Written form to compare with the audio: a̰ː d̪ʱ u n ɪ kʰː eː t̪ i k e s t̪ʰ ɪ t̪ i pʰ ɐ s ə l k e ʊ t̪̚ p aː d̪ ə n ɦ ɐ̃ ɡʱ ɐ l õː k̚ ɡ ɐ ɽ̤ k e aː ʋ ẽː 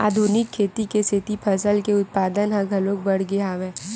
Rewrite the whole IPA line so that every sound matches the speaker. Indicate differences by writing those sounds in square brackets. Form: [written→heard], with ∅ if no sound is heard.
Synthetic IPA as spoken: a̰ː d̪ʱ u n ɪ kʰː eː t̪ i k e s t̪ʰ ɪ t̪ i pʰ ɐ s ə l k e ʊ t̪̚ p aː d̪ ə n ɦ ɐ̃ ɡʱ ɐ l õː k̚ [ɡ→b] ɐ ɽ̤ [k→ɡ] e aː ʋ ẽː